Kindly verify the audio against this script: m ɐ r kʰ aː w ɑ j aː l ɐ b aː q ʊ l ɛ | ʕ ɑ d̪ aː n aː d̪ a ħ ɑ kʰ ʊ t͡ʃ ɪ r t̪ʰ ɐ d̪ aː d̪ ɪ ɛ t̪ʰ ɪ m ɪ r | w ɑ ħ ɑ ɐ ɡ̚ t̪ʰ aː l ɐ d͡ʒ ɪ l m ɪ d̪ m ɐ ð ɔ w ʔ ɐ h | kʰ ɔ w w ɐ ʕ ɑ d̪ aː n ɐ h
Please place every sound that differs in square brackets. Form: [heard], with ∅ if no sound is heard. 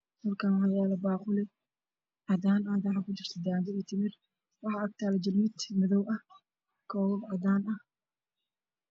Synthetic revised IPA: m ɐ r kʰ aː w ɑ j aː l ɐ b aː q ʊ l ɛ | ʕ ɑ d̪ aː n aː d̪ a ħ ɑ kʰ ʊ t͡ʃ ɪ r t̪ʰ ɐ d̪ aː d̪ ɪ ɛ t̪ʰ ɪ m ɪ r | w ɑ ħ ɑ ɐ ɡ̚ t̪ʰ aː l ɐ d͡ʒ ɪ l m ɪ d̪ m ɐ ð ɔ w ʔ ɐ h | kʰ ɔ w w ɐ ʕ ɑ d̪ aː n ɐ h